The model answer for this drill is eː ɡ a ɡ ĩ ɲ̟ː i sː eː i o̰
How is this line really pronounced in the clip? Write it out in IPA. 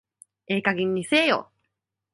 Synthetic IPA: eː k a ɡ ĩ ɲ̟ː i s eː j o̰

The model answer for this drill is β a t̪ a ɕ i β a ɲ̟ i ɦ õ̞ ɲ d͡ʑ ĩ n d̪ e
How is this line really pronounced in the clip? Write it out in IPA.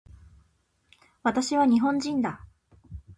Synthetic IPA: β a t̪ a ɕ i β a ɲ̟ i ɦ õ̞ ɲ d͡ʑ ĩ n d̪ a

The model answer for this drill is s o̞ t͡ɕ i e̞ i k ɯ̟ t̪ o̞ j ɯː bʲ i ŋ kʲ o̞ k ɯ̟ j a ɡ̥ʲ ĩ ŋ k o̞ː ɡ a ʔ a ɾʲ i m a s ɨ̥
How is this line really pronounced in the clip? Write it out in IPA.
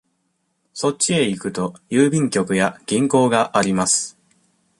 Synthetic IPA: s o̞ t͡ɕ i e̞ i k ɯ̟ t̪ o̞ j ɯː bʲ ĩ ŋ kʲ o̞ k ɯ̟ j a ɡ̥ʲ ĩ ŋ k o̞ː ɡ a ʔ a ɾʲ i m a s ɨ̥

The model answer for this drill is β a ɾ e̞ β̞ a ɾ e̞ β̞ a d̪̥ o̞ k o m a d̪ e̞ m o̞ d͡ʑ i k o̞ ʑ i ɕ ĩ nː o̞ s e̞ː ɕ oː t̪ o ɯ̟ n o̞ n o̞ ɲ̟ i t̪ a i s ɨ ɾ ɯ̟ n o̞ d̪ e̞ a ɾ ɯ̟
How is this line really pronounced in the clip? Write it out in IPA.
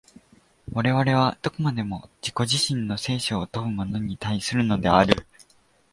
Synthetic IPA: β a ɾ e̞ β̞ a ɾ e̞ β̞ a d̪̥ o̞ k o m a d̪ e̞ m o̞ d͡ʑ i k o̞ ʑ i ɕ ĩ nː o̞ s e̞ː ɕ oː t̪ o ɯ̟ m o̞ n o̞ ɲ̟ i t̪ a i s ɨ ɾ ɯ̟ n o̞ d̪ e̞ a ɾ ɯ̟

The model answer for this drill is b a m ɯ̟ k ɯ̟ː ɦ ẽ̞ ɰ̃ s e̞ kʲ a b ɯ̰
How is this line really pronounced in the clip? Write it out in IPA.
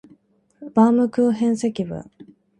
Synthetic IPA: b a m ɯ̟ k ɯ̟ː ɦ ẽ̞ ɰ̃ s e̞ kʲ i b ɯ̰

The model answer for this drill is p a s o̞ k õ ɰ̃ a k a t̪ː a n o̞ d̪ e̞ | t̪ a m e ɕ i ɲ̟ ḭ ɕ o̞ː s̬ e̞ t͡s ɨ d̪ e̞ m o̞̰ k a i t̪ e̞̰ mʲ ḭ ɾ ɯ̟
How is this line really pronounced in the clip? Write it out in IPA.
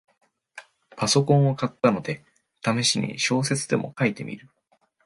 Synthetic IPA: p a s o̞ k õ ɰ̃ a k a t̪ː a n o̞ d̪ e̞ | t̪ a m e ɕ i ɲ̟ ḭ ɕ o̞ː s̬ e̞ t͡s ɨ d̪ e̞ m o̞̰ k a i t̪ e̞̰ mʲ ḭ ɾ ɯ̟

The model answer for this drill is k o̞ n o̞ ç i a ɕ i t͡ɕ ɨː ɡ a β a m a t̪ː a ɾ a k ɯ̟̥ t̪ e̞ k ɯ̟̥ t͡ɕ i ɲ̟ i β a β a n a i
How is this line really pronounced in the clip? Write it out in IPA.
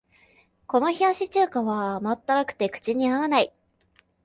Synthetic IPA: k o̞ n o̞ ç i a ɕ i t͡ɕ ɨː k a β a m a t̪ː a ɾ a k ɯ̟̥ t̪ e̞ k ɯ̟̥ t͡ɕ i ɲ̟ i a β a n a i

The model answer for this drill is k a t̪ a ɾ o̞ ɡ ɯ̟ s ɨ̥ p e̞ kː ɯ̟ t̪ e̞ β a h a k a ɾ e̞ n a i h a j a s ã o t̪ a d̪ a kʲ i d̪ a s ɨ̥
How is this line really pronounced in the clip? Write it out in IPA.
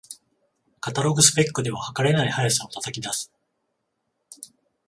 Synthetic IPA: k a t̪ a ɾ o̞ ɡ ɯ̟ s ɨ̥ p e̞ kː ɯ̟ d̪ e̞ β a h a k a ɾ e̞ n a i h a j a s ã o t̪ a t̪ a kʲ i d̪ a s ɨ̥

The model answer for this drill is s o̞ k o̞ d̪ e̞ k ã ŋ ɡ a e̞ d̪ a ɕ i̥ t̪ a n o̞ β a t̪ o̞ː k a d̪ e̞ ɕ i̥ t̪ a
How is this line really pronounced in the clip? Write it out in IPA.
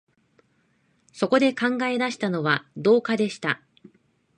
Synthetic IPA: s o̞ k o̞ d̪ e̞ k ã ŋ ɡ a e̞ d̪ a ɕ i̥ t̪ a n o̞ β a d̪ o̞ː k a d̪ e̞ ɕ i̥ t̪ a

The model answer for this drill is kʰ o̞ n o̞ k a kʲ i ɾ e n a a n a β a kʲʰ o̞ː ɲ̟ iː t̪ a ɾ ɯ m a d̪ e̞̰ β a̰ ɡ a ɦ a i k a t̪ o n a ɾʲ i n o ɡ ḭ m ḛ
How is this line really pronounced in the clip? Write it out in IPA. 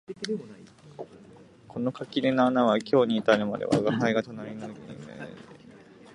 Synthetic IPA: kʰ o̞ n o̞ k a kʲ i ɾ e n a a n a β a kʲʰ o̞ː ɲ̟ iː t̪ a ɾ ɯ m a d̪ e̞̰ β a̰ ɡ a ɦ a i ɡ a t̪ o n a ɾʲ i n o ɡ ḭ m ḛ

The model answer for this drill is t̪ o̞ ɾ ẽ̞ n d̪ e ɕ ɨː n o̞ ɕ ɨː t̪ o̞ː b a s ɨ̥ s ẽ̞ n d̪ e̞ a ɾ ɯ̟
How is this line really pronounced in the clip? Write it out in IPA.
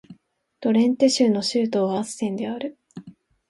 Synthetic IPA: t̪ o̞ ɾ ẽ̞ n t̪ e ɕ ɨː n o̞ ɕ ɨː t̪ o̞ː β a s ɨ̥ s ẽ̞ n d̪ e̞ a ɾ ɯ̟

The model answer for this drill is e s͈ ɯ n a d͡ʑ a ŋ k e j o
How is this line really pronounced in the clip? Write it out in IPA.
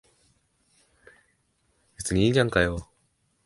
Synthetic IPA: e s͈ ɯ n i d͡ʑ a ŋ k a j o

